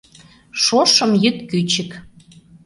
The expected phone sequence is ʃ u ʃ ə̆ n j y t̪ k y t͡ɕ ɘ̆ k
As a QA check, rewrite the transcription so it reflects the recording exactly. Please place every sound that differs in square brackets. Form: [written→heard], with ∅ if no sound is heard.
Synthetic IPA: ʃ [u→o] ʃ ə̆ [n→m] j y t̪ k y t͡ɕ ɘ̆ k